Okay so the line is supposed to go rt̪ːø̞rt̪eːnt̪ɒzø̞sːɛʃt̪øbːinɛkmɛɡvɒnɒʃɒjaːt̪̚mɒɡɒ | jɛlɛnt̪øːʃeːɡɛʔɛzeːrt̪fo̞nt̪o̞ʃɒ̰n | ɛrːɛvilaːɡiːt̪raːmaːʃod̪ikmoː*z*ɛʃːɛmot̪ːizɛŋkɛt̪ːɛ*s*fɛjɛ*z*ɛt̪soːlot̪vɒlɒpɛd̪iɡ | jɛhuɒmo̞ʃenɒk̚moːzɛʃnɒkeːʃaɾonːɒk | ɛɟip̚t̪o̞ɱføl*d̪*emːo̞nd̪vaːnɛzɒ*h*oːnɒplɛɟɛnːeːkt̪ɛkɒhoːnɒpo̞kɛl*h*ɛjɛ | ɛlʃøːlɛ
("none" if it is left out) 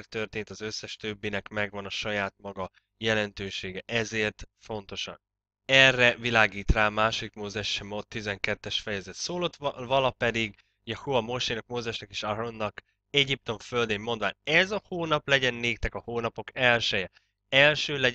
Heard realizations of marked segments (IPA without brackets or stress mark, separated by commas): z, ʃ, z, d̪, h, ʃ